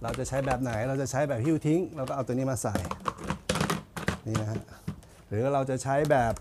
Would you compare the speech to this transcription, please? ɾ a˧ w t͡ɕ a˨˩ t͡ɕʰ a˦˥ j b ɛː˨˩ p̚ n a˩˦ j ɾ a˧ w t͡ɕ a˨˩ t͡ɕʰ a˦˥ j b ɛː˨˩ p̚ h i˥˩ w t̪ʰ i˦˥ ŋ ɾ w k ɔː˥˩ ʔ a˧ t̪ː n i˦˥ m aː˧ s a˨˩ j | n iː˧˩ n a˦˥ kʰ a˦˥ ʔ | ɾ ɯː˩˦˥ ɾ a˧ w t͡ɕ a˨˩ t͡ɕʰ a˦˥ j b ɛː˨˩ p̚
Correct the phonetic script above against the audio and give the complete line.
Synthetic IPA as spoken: ɾ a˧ w t͡ɕ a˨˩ t͡ɕʰ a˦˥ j b ɛː˨˩ p̚ n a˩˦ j ɾ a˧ w t͡ɕ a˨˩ t͡ɕʰ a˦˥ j b ɛː˨˩ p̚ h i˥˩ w t̪ʰ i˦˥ ŋ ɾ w k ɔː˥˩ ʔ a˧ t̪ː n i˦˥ m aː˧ s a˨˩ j | n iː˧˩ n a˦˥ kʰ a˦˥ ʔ | ɾ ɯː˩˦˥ ɾ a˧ w t͡ɕ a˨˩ t͡ɕʰ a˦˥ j b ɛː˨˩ p̚